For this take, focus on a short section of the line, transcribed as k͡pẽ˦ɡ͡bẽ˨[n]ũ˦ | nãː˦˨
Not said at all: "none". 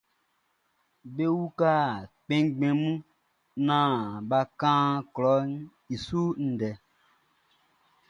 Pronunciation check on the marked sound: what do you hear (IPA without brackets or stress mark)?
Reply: m